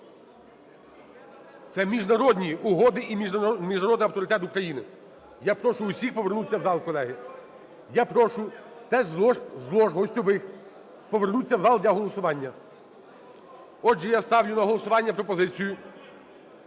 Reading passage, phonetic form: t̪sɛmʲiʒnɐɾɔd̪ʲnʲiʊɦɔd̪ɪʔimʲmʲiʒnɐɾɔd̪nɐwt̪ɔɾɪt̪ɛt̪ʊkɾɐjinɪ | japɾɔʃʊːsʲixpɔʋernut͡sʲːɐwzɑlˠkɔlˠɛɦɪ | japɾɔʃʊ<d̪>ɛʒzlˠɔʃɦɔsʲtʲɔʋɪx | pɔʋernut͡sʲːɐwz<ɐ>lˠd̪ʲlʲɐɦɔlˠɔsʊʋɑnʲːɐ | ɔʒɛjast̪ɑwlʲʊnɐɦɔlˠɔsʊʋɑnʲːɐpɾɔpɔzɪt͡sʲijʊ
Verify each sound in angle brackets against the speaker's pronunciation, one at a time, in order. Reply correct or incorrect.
incorrect, incorrect

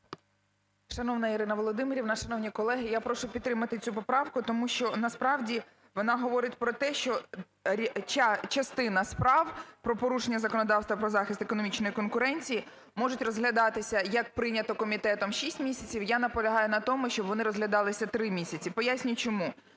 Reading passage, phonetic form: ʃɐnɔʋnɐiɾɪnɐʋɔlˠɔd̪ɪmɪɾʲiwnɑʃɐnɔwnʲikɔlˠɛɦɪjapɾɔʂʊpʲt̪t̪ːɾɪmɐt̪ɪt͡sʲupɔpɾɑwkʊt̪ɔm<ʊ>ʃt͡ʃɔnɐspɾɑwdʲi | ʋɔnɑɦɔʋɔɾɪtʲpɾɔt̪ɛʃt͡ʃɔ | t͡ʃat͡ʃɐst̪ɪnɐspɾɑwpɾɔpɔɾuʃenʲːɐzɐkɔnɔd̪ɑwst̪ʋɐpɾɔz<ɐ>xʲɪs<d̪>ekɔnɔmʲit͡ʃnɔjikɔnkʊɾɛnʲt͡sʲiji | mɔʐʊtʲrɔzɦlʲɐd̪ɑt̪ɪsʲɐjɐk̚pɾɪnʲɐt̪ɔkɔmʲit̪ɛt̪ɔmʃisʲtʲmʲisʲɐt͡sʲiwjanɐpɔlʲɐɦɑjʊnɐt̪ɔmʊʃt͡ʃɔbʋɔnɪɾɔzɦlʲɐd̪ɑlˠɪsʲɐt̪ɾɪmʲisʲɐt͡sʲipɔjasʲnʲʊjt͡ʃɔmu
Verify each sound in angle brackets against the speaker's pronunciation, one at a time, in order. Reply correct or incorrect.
incorrect, incorrect, incorrect

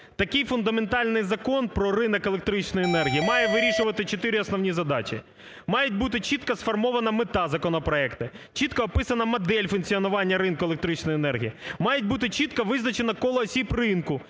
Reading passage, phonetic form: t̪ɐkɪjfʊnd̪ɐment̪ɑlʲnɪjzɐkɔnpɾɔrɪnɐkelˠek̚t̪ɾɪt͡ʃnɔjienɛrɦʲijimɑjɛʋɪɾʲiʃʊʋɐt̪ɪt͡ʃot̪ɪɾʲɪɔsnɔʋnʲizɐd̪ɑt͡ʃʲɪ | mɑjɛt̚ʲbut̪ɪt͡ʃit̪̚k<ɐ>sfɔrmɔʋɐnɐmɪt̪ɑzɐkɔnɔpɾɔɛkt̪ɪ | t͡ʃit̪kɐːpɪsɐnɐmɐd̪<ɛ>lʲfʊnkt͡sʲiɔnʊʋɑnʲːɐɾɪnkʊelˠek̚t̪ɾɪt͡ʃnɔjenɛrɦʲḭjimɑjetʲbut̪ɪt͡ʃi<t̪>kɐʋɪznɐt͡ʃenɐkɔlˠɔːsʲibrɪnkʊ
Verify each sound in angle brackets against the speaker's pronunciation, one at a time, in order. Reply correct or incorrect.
correct, correct, correct

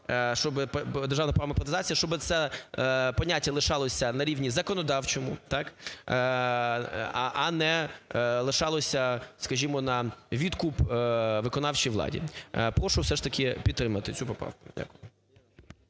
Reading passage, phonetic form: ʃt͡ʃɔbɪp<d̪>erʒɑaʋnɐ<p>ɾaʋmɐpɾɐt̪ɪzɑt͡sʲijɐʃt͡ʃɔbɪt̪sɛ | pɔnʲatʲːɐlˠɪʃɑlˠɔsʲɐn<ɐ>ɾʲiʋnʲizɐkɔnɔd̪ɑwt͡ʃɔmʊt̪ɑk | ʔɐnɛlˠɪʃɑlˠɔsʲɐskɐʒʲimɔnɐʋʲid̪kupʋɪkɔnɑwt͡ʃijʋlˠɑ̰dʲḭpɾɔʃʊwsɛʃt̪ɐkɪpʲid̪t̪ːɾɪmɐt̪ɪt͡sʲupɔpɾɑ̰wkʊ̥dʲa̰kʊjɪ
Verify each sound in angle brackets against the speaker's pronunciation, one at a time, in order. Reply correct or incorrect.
correct, correct, correct

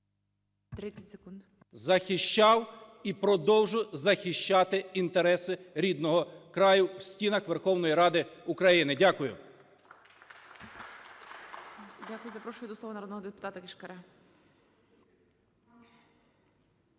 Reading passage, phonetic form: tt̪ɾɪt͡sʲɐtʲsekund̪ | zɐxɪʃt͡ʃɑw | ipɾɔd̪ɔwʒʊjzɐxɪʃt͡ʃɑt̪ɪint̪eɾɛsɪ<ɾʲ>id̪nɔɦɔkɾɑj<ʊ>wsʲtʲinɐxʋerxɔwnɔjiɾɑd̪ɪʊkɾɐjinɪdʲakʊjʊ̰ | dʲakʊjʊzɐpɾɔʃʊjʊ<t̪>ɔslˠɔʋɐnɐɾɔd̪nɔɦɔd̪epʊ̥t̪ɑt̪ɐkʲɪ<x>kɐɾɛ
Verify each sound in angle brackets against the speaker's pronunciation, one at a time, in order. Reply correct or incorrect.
correct, correct, incorrect, incorrect

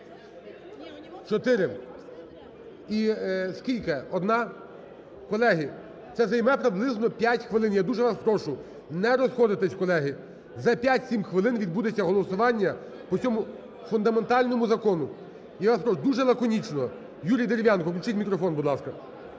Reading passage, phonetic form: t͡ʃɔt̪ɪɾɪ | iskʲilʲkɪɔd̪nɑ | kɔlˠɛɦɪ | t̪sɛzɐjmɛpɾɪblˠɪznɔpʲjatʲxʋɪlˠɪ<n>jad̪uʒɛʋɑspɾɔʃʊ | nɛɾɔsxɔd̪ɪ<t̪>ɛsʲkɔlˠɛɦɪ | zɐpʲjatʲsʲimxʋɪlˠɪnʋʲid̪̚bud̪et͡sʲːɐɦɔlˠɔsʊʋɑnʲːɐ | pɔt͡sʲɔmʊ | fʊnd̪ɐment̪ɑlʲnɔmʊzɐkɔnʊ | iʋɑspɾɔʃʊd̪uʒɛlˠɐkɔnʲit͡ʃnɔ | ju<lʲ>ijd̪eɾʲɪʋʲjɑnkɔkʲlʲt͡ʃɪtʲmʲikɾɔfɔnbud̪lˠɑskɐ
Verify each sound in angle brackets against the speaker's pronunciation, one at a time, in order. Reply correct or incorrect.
correct, correct, incorrect

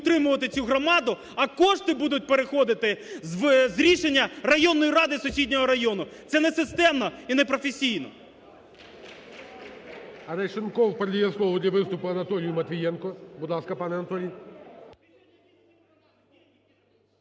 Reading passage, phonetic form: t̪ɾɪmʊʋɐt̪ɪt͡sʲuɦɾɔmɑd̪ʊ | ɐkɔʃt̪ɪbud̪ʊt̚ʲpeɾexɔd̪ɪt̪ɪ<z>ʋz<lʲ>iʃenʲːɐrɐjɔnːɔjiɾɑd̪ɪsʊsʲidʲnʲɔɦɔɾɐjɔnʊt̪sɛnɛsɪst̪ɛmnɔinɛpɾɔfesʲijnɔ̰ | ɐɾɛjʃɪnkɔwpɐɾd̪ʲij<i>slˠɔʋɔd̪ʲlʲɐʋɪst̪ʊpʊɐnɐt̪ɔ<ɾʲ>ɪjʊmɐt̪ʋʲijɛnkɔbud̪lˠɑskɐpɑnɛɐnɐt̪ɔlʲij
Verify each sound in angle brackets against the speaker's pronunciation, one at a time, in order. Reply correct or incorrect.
correct, incorrect, incorrect, incorrect

